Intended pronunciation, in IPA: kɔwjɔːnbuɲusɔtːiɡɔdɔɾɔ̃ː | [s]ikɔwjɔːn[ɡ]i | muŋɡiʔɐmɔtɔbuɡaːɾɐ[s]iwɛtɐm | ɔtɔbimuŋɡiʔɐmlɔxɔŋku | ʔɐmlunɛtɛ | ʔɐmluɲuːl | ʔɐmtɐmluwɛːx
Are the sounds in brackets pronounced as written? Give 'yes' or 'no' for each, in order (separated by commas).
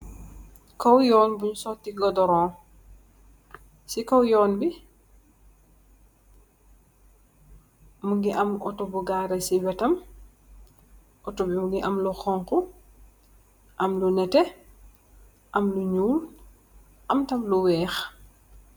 yes, no, yes